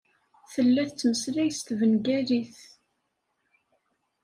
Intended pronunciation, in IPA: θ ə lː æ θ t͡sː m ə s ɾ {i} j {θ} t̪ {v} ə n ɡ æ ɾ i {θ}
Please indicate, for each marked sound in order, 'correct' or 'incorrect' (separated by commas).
incorrect, incorrect, correct, correct